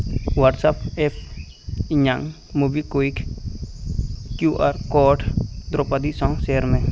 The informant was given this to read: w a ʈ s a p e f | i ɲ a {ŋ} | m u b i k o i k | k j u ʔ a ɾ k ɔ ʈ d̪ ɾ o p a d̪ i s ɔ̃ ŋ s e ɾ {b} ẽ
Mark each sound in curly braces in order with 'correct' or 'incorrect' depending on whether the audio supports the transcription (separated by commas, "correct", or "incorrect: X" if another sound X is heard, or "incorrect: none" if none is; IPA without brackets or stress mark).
correct, incorrect: m